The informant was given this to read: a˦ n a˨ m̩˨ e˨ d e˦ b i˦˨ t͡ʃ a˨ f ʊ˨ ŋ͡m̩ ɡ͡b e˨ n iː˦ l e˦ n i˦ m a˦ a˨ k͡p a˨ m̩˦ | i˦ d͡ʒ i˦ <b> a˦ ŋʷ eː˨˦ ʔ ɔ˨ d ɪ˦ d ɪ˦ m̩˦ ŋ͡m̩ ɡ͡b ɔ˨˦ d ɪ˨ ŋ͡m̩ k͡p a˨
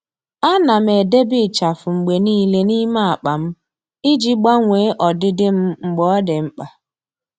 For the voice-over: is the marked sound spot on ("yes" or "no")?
no